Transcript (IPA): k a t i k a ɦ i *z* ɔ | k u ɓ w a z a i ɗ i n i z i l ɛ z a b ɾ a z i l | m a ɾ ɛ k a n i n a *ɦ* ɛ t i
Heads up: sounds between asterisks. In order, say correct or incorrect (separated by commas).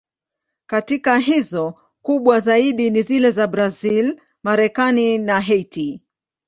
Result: correct, correct